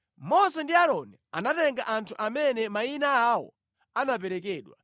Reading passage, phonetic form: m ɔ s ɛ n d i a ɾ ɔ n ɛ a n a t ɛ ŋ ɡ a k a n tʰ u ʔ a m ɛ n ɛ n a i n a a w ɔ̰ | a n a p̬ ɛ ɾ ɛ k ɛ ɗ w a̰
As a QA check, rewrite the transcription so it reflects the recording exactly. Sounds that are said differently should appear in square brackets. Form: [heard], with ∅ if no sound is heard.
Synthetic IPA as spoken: m ɔ s ɛ n d i a ɾ ɔ n ɛ a n a t ɛ ŋ ɡ a [ʔ] a n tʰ u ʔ a m ɛ n ɛ [m] a i n a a w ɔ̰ | a n a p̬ ɛ ɾ ɛ k [ɛː] ɗ w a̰